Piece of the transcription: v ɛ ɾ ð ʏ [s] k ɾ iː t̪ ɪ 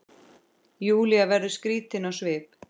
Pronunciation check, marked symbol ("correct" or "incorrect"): correct